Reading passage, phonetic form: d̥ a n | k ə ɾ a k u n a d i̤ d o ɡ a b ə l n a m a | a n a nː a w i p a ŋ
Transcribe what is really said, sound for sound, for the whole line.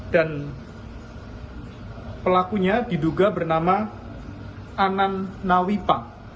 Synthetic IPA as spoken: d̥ a n | p ə l a k u ɲ a d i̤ d u ɡ a b ə r n a m a | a n a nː a w i p a ŋ